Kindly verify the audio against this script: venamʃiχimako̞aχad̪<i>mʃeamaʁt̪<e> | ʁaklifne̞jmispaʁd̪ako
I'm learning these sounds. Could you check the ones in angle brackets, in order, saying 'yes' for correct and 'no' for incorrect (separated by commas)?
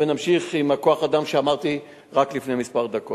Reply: no, no